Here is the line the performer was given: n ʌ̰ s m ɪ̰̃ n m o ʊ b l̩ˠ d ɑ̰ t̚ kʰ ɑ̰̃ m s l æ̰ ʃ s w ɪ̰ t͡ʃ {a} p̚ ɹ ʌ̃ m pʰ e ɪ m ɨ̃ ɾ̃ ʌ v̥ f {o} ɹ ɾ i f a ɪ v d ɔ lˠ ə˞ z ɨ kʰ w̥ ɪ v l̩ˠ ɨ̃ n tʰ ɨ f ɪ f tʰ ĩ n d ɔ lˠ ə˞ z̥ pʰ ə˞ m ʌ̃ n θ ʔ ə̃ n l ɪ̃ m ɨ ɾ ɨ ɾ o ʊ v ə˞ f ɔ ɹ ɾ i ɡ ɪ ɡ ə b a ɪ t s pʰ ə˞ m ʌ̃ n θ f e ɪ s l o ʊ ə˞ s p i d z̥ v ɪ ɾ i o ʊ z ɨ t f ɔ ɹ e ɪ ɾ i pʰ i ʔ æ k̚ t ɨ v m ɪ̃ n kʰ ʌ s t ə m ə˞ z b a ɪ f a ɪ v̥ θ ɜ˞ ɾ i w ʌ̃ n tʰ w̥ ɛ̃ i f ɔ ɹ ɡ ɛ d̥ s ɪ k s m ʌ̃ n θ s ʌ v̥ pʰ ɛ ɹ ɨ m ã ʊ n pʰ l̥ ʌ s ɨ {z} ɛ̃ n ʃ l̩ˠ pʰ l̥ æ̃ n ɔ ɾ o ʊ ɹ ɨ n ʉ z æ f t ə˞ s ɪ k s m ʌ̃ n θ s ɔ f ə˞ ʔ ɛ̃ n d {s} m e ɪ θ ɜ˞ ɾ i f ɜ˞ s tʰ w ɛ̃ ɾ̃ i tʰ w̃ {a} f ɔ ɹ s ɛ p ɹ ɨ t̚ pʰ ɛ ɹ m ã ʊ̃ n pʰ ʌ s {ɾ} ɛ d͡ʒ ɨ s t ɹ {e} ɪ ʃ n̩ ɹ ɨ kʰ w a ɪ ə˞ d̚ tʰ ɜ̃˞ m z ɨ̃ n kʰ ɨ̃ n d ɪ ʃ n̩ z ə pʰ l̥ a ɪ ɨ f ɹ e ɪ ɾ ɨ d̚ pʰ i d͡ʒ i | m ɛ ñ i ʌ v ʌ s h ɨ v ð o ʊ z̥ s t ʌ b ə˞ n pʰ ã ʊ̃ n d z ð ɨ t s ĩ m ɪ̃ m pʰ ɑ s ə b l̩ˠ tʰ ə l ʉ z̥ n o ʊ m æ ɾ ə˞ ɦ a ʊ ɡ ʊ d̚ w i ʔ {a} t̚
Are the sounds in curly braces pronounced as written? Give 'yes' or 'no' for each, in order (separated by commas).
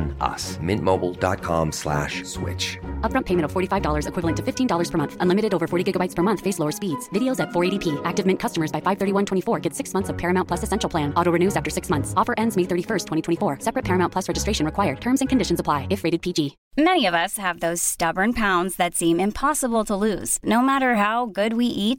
no, no, no, no, no, no, yes, no